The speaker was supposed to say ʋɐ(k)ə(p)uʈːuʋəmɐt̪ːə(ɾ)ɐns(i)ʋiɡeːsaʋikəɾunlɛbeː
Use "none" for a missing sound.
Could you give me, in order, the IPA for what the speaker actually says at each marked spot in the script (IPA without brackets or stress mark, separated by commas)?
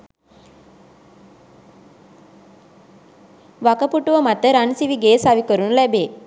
k, p, ɾ, i